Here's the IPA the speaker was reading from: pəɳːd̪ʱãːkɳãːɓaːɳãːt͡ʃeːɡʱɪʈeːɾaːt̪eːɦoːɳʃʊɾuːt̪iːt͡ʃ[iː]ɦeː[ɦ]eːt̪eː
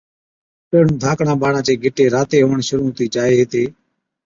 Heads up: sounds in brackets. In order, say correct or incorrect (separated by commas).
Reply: incorrect, correct